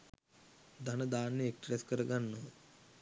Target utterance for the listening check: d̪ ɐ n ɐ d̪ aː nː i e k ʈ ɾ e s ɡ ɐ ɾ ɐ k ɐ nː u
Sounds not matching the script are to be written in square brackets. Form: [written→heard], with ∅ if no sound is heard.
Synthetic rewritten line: d̪ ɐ n ɐ d̪ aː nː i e k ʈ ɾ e s [ɡ→k] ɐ ɾ ɐ [k→ɡ] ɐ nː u